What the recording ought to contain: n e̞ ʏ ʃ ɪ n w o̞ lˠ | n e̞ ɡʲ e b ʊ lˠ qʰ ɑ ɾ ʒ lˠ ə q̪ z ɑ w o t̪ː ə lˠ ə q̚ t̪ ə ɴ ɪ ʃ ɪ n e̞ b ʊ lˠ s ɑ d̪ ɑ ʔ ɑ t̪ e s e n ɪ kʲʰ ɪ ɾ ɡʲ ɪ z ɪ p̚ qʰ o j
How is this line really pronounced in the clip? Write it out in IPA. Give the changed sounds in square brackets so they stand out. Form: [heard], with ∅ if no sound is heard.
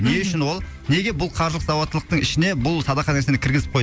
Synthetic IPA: n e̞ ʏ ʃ ɪ n w o̞ lˠ | n e̞ ɡʲ e b ʊ lˠ qʰ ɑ ɾ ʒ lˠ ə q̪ z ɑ w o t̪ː ə lˠ ə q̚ t̪ ə ɴ ɪ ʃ ɪ n e̞ b ʊ lˠ s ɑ d̪ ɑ [q] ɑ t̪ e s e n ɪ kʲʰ ɪ ɾ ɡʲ ɪ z ɪ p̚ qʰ o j